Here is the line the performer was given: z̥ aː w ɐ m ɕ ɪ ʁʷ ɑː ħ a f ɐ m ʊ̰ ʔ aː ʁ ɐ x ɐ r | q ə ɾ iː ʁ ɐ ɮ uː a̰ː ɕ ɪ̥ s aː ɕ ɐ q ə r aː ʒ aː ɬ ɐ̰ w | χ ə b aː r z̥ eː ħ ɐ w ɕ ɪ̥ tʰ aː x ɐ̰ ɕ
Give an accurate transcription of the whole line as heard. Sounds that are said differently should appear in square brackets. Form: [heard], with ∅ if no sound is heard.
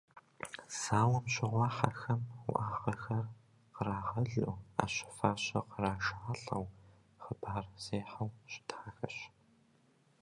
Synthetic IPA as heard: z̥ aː w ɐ m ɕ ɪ ʁʷ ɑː ħ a [x] ɐ m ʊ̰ ʔ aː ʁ ɐ x ɐ r | q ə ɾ [aː] ʁ ɐ ɮ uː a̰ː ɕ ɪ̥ [f] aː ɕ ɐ q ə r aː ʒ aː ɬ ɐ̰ w | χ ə b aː r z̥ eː ħ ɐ w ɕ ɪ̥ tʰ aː x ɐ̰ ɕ